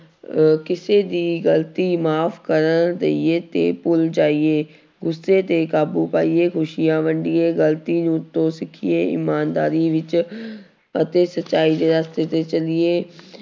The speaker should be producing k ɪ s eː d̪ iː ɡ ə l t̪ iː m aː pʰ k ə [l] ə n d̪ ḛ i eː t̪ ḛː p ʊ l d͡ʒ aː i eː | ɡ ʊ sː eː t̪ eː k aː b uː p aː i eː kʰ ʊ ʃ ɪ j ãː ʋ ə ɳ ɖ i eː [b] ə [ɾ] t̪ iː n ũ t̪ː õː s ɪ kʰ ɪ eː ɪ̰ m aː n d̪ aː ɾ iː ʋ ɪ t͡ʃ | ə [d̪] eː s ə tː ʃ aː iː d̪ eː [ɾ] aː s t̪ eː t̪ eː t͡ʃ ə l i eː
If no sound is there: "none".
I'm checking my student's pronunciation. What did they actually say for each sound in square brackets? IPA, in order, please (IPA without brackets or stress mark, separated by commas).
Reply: ɾ, ɡ, l, t̪, ɾ